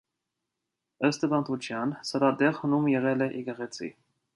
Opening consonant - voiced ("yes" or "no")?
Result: no